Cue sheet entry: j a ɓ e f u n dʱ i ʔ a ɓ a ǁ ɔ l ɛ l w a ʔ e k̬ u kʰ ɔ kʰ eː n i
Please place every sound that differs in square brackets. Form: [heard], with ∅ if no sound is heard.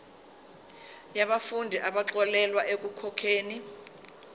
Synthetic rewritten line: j a ɓ [a] f u n dʱ i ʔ a ɓ a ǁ ɔ l ɛ l w a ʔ e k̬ u kʰ ɔ kʰ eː n i